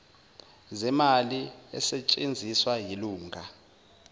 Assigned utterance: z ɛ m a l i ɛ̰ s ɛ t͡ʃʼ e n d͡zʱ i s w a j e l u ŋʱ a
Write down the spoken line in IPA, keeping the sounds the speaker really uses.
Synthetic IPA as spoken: z ɛ m a l i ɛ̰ s ɛ t͡ʃʼ e n d͡zʱ i s w a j i l uː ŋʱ a

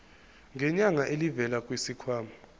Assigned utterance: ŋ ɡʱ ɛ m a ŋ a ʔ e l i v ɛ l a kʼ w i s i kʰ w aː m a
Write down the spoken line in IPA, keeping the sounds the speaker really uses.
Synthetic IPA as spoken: ŋ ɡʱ ɛ ɲ a ŋ a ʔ e l i v ɛ l a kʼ w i s i kʰ w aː m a

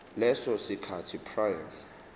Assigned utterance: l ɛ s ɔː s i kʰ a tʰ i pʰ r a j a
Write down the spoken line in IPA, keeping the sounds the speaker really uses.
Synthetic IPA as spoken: l ɛ s ɔ s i kʰ a tʰ i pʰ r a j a

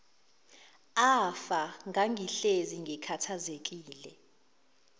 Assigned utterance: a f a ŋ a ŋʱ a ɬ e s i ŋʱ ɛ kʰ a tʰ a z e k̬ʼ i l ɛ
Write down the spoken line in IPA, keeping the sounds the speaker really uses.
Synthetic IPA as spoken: a f a ŋ a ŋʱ i ɬ e z i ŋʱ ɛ kʰ a tʰ a z e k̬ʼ iː l ɛ

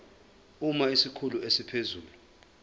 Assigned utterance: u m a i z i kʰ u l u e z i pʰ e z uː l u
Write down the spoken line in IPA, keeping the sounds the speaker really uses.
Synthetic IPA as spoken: u m a i s i kʰ u l u e s i pʰ e z uː l u

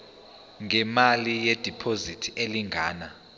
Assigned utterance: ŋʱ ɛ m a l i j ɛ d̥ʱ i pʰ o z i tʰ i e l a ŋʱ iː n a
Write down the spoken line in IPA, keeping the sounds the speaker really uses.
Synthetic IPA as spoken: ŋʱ ɛ m a l i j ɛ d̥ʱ i pʰ o z i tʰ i e l i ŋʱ aː n a

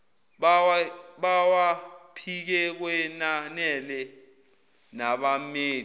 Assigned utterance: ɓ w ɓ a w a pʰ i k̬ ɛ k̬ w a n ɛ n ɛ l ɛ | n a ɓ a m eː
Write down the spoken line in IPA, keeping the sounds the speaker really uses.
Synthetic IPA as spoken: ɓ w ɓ a w a pʰ i k̬ ɛ k̬ w ɛ n a n ɛ l ɛ | n a ɓ a m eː

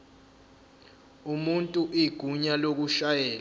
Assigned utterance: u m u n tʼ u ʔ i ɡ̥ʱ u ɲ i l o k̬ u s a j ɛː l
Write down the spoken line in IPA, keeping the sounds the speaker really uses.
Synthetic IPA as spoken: u m u n tʼ u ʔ i ɡ̥ʱ u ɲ a l o k̬ u ʃ a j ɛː l

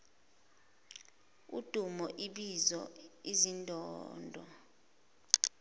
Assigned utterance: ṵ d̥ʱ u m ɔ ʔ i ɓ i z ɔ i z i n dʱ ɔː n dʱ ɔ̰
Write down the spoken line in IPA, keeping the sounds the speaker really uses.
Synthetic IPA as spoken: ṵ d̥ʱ u m ɔ ʔ i ɓ i z ɔ i z i n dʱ ɔː n dʱ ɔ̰

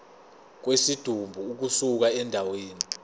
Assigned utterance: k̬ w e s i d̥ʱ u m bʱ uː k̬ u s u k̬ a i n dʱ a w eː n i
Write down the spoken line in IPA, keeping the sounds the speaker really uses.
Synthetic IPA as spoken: k̬ w e s i d̥ʱ u m bʱ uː k̬ u s u k̬ a ɛ n dʱ a w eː n i

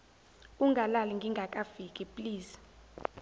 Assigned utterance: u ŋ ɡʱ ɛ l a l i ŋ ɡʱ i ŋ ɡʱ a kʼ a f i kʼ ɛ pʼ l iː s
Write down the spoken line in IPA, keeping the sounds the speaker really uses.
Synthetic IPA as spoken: u ŋ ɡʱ a l a l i ŋ ɡʱ i ŋ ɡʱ a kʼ a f i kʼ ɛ pʼ l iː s

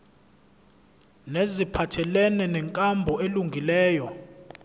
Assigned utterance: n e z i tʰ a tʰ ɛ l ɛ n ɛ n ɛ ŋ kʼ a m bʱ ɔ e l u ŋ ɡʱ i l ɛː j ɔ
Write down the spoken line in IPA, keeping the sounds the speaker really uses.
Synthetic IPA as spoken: n e z i pʰ a tʰ ɛ l ɛ n ɛ n ɛ ŋ kʼ a m bʱ ɔ e l u ŋ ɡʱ i l ɛː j ɔ

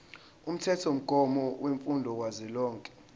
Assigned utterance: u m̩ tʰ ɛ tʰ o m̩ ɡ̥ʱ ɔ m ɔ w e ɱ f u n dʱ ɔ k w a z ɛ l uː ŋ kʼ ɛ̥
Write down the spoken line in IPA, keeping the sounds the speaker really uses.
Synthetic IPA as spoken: u m̩ tʰ ɛ tʰ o m̩ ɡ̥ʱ ɔ m ɔ w e ɱ f u n dʱ ɔ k w a z ɛ l ɔː ŋ kʼ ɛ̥

